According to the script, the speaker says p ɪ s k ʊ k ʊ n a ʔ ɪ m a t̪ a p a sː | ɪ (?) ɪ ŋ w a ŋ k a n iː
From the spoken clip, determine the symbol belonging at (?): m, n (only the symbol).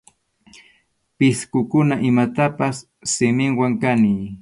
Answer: m